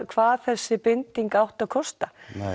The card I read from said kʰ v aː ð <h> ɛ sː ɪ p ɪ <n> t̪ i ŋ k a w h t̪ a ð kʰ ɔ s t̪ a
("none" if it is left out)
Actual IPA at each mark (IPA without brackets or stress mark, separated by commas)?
θ, n